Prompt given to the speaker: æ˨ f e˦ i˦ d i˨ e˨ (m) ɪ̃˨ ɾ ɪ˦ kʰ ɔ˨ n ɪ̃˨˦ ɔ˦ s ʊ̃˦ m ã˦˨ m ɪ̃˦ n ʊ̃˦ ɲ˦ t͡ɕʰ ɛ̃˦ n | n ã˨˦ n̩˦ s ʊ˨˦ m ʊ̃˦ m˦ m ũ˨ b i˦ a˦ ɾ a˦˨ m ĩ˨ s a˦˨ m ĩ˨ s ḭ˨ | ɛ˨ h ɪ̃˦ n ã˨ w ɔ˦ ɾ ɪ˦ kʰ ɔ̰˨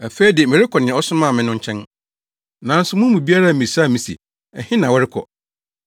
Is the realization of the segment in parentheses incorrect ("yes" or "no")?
no